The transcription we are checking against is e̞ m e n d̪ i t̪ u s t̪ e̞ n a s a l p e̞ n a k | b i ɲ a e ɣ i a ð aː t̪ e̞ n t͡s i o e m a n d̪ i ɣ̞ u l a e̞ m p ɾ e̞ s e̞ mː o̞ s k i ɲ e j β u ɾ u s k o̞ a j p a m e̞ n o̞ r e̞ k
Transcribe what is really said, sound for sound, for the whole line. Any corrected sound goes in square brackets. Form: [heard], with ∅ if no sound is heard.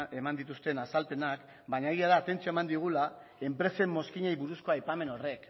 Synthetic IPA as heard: e̞ m [a] n d̪ i t̪ u s t̪ e̞ n a s a l p e̞ n a k | b [a] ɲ a e ɣ i a ð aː t̪ e̞ n t͡s i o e m a n d̪ i ɣ̞ u l a e̞ m p ɾ e̞ s e̞ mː o̞ s k i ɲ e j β u ɾ u s k o̞ a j p a m e̞ n o̞ r e̞ k

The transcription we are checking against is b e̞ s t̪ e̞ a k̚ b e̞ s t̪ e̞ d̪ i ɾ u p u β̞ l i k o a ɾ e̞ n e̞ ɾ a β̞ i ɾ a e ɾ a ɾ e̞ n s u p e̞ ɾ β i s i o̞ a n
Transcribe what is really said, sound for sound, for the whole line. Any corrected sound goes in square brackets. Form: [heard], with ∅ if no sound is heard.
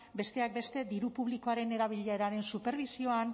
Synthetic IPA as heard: b e̞ s t̪ e̞ a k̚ b e̞ s t̪ e̞ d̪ i ɾ u p u β̞ l i k o a ɾ e̞ n e̞ ɾ a β̞ i [ʎ] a e ɾ a ɾ e̞ n s u p e̞ ɾ β i s i o̞ a n

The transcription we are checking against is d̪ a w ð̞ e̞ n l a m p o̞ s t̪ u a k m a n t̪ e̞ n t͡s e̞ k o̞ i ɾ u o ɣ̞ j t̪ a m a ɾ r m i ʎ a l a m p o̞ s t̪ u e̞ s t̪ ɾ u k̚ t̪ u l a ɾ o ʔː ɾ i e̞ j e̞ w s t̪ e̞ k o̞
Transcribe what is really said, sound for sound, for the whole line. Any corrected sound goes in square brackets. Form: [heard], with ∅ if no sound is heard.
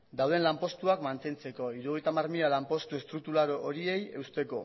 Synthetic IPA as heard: d̪ a w ð̞ e̞ n l a m p o̞ s t̪ u a k m a n t̪ e̞ n t͡s e̞ k o̞ i ɾ u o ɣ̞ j t̪ a m a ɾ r m i ʎ a l a m p o̞ s t̪ u e̞ s t̪ ɾ u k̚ t̪ u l a ɾ o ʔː ɾ i e̞ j e̞ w s t̪ e̞ k o̞

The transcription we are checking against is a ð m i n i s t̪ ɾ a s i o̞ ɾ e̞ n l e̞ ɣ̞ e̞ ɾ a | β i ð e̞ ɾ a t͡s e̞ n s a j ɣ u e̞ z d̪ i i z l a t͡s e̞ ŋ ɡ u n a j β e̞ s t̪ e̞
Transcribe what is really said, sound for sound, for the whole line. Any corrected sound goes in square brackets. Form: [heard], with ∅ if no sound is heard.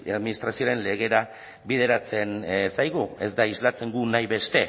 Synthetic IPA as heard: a ð m i n i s t̪ ɾ a s i o̞ ɾ e̞ n l e̞ ɣ̞ e̞ ɾ a | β i ð e̞ ɾ a t͡s e̞ n s a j ɣ u e̞ z d̪ [a] i z l a t͡s e̞ ŋ ɡ u n a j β e̞ s t̪ e̞

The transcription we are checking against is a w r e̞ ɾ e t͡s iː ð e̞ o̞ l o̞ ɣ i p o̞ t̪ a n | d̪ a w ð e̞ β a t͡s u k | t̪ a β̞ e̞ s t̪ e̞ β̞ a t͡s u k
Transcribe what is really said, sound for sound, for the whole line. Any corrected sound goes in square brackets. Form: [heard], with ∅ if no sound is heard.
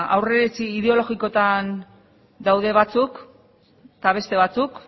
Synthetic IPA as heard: a w r e̞ ɾ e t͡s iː ð e̞ o̞ l o̞ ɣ i [k] o̞ t̪ a n | d̪ a w ð e̞ β a t͡s u k | t̪ a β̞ e̞ s t̪ e̞ β̞ a t͡s u k

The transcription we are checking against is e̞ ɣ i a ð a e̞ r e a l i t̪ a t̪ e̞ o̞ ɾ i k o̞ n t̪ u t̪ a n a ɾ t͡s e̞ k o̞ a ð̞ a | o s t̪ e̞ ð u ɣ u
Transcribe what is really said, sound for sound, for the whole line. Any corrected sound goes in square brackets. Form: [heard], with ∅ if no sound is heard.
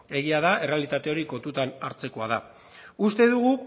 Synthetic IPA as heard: e̞ ɣ i a ð a e̞ r e a l i t̪ a t̪ e̞ o̞ ɾ i k o̞ n t̪ u t̪ a n a ɾ t͡s e̞ k o̞ a ð̞ a | [u] s t̪ e̞ ð u ɣ u

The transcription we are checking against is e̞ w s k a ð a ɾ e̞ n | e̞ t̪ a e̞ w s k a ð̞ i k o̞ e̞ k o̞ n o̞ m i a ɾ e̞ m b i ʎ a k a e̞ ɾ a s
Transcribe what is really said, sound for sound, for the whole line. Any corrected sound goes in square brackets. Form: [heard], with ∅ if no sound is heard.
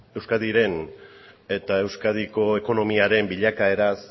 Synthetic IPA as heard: e̞ w s k a ð [i] ɾ e̞ n | e̞ t̪ a e̞ w s k a ð̞ i k o̞ e̞ k o̞ n o̞ m i a ɾ e̞ m b i ʎ a k a e̞ ɾ a s

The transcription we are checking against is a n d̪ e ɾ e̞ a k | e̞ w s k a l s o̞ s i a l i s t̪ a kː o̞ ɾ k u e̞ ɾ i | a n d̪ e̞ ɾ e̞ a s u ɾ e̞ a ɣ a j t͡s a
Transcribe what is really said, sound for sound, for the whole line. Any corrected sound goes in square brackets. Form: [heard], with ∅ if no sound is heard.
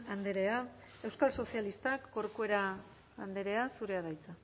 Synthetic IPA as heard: a n d̪ e ɾ e̞ a [∅] | e̞ w s k a l s o̞ s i a l i s t̪ a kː o̞ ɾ k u e̞ ɾ [a] | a n d̪ e̞ ɾ e̞ a s u ɾ e̞ a [ð] a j t͡s a

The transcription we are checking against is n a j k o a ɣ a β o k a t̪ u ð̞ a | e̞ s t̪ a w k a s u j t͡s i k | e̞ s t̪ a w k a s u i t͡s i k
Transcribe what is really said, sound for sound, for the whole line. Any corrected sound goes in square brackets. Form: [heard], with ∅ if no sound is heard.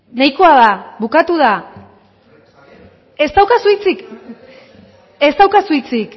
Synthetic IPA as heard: n a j k o a [ð] a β [u] k a t̪ u ð̞ a | e̞ s t̪ a w k a s u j t͡s i k | e̞ s t̪ a w k a s u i t͡s i k

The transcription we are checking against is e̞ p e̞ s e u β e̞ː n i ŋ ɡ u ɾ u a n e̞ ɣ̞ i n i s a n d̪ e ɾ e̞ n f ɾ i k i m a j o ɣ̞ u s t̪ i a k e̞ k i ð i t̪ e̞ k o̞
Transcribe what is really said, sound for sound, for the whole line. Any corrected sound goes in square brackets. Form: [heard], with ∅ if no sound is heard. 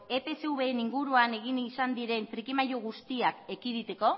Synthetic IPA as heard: e̞ p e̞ s e u β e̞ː n i ŋ ɡ u ɾ u a n e̞ ɣ̞ i n i s a n d̪ [i] ɾ e̞ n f ɾ i k i m a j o ɣ̞ u s t̪ i a k e̞ k i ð i t̪ e̞ k o̞

